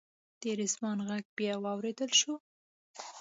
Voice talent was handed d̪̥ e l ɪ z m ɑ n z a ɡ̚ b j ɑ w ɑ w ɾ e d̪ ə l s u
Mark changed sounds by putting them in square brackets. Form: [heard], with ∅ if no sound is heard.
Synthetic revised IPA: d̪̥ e [ɾ] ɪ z m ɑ n [ɣ] a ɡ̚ b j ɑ w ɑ w ɾ e d̪ ə l [ʃ] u